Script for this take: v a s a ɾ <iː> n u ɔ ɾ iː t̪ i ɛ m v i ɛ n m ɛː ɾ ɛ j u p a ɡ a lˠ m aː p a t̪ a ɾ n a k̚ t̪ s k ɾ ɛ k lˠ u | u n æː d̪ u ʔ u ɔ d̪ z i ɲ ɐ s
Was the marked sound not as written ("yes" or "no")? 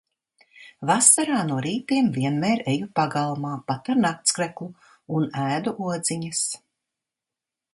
yes